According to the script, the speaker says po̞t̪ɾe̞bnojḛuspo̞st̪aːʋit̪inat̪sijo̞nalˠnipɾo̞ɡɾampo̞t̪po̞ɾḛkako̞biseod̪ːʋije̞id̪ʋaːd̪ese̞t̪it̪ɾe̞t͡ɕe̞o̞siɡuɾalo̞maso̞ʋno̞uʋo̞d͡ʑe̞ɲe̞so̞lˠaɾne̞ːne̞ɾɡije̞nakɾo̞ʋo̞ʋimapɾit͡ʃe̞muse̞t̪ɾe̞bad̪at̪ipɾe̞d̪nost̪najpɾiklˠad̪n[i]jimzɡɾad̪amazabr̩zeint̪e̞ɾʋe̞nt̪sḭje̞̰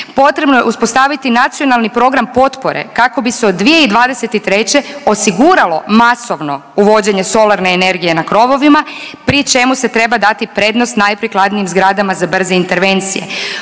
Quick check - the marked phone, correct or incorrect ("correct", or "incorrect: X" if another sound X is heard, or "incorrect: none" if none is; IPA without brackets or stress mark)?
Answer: correct